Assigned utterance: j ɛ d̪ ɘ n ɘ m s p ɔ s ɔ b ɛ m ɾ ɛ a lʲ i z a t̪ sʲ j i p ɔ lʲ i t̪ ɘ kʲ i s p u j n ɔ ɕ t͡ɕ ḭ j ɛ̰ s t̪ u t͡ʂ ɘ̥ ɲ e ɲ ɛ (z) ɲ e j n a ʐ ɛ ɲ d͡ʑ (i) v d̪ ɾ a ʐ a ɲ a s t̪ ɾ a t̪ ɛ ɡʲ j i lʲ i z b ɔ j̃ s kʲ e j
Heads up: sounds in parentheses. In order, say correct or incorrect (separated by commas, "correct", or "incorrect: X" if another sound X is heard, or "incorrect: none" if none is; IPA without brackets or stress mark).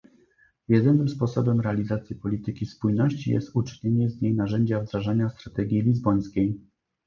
correct, incorrect: a